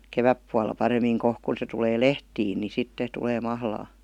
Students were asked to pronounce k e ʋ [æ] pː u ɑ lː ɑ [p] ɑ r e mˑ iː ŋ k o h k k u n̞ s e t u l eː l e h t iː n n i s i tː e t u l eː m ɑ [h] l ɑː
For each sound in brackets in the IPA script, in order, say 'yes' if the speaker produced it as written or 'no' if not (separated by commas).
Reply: yes, yes, yes